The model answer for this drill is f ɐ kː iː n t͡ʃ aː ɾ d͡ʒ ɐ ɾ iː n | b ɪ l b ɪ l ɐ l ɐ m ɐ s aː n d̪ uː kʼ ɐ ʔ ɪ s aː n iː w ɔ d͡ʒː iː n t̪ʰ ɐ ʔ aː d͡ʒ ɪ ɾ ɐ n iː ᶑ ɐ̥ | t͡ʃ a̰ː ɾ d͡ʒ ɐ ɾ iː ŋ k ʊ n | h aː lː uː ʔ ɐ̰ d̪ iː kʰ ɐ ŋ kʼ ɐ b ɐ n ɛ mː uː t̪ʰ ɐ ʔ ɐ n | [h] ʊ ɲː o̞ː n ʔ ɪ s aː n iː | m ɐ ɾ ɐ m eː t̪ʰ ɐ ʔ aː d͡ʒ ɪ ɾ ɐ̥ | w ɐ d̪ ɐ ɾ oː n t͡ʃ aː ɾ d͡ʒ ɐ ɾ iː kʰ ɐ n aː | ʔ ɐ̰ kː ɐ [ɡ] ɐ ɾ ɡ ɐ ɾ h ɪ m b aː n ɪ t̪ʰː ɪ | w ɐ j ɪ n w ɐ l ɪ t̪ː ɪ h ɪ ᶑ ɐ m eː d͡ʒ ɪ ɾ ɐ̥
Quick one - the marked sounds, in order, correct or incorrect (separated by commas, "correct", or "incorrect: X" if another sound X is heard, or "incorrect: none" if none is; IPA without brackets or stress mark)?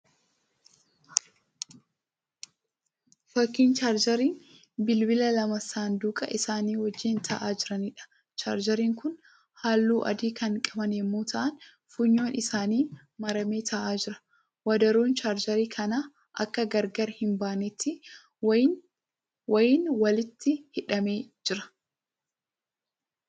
incorrect: f, correct